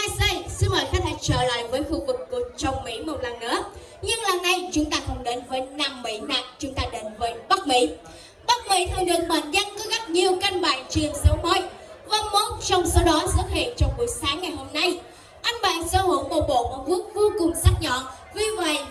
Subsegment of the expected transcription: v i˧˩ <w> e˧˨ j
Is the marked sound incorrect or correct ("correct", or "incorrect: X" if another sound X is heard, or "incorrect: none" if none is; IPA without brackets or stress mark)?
incorrect: v